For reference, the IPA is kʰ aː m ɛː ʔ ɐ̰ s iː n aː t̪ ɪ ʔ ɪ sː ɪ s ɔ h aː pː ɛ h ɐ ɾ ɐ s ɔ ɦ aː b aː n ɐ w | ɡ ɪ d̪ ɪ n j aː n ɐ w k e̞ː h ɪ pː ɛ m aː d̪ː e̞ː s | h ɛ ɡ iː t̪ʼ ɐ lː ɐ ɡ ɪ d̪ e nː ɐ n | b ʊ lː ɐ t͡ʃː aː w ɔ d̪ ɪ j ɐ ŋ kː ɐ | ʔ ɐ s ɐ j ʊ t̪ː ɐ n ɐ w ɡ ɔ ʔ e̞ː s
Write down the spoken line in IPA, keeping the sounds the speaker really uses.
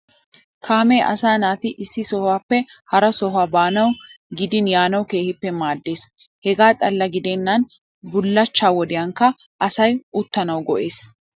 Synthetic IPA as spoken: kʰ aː m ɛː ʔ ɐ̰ s aː n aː t̪ ɪ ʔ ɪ sː ɪ s ɔ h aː pː ɛ h ɐ ɾ ɐ s ɔ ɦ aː b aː n ɐ w | ɡ ɪ d̪ ɪ n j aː n ɐ w k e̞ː h ɪ pː ɛ m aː d̪ː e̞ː s | h ɛ ɡ aː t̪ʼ ɐ lː ɐ ɡ ɪ d̪ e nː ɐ n | b ʊ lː ɐ t͡ʃː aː w ɔ d̪ ɪ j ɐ ŋ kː ɐ | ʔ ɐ s ɐ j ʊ t̪ː ɐ n ɐ w ɡ ɔ ʔ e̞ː s